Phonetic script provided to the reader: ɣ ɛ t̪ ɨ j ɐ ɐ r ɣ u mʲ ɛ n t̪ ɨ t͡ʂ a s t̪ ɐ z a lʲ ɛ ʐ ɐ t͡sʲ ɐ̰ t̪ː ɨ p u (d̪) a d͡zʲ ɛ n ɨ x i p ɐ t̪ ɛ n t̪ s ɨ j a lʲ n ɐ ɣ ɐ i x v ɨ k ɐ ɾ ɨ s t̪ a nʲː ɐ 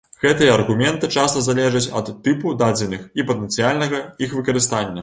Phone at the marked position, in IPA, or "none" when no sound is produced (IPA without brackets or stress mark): d̪